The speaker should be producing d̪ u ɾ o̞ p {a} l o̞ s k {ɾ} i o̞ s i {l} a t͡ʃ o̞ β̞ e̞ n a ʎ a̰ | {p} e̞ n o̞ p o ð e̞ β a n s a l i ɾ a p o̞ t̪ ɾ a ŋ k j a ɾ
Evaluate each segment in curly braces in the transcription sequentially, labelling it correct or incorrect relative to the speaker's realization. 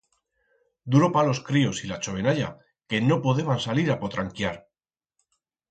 correct, correct, correct, incorrect

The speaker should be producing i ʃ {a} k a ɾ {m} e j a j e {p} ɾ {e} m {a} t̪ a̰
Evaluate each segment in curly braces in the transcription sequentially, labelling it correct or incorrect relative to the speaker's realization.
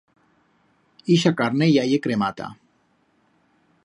correct, incorrect, incorrect, correct, correct

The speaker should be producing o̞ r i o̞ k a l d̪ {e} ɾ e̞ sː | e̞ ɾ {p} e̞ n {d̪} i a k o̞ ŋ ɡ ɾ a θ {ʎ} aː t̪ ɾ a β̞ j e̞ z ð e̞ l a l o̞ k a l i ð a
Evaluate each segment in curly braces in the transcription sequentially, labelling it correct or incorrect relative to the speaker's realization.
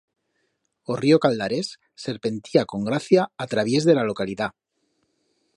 incorrect, correct, incorrect, incorrect

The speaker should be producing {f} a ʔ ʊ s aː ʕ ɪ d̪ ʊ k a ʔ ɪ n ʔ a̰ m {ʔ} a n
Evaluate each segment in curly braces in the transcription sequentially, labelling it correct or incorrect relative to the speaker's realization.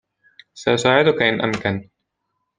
incorrect, incorrect

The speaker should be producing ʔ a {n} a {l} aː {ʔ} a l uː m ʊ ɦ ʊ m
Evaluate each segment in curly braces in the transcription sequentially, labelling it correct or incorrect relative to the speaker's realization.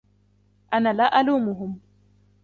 correct, correct, correct

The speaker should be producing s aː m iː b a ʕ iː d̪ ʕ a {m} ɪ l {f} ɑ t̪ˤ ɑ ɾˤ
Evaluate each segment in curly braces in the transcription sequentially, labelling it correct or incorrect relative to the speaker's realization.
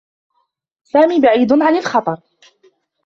incorrect, incorrect

